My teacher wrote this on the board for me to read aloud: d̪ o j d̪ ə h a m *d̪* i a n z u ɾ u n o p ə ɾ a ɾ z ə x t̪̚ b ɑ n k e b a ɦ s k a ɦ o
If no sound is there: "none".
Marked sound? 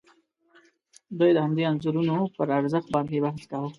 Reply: d̪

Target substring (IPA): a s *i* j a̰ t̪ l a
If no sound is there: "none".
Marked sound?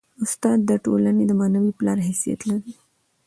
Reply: i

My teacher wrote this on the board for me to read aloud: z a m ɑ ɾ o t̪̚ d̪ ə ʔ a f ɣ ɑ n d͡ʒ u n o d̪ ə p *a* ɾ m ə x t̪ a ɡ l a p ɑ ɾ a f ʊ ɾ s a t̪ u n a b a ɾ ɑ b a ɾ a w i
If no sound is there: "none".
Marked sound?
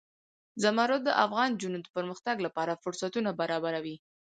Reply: ə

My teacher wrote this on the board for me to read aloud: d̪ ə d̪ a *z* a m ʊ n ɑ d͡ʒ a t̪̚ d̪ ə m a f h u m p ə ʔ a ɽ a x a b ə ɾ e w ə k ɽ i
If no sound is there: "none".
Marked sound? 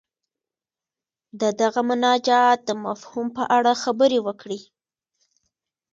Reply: ɣ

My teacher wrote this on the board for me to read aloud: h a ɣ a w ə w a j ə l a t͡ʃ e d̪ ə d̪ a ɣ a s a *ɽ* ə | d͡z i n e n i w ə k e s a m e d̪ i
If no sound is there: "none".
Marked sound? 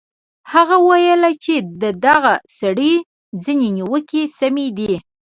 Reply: ɽ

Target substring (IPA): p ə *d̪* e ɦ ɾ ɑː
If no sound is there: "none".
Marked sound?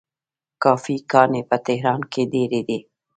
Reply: t̪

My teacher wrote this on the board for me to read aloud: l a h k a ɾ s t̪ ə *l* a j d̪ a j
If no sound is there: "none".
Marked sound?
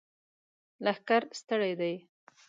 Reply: ɽ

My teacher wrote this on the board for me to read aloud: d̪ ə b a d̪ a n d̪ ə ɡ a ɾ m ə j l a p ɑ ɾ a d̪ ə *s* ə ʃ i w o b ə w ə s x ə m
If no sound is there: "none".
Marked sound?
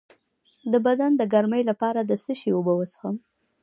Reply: s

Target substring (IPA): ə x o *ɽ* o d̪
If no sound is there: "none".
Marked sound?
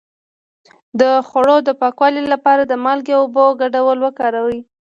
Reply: ɽ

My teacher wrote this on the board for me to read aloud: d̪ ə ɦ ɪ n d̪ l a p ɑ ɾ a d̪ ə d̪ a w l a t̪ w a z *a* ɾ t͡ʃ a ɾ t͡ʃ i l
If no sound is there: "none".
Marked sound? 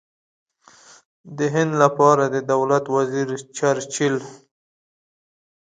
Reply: i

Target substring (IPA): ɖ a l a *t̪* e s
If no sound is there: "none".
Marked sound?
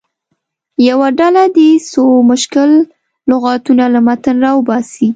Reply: d̪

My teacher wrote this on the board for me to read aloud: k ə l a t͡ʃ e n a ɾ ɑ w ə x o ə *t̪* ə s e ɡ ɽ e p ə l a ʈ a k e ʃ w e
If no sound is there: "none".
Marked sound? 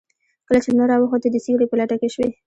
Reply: d̪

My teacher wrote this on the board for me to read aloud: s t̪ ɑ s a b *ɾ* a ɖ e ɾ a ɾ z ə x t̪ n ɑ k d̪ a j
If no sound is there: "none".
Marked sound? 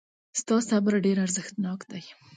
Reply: ɾ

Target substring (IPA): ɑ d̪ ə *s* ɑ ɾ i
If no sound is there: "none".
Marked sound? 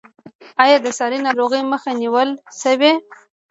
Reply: s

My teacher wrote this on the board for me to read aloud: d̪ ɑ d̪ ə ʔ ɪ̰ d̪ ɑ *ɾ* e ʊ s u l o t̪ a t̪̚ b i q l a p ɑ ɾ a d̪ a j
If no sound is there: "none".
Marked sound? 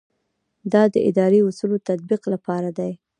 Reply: ɾ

